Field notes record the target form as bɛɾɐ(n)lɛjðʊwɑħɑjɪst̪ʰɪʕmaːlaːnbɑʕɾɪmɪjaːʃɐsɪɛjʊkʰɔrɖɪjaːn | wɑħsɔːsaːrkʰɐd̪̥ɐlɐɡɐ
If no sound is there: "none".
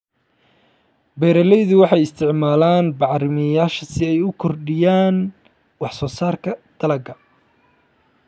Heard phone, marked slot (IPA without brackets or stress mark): none